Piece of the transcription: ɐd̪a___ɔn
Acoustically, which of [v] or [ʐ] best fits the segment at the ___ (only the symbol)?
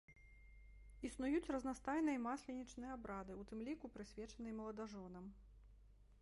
ʐ